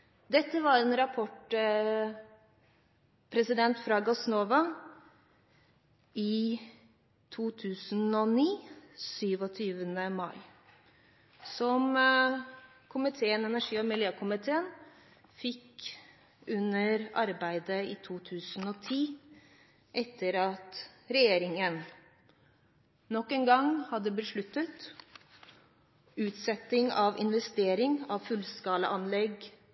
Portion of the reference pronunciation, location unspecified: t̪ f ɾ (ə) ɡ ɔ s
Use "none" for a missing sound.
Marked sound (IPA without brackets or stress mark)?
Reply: ɑ